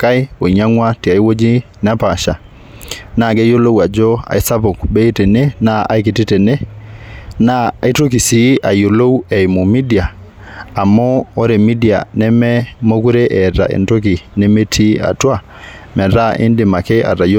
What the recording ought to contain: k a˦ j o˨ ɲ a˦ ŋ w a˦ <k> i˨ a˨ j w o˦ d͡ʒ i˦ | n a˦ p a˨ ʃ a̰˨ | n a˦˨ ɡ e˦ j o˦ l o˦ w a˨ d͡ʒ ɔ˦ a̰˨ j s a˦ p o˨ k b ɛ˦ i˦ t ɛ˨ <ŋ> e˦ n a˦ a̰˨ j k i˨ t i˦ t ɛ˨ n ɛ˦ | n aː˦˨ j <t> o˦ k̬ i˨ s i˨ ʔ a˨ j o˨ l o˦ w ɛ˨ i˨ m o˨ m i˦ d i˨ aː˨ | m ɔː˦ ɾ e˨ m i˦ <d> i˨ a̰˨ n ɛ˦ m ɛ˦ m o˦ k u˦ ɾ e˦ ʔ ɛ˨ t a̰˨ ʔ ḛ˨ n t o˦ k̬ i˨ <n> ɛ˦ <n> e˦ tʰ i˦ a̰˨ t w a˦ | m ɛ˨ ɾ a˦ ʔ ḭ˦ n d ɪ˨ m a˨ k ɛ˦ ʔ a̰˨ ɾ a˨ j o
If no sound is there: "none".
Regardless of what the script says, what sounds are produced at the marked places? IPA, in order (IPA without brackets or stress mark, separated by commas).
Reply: t, n, t, d, n, m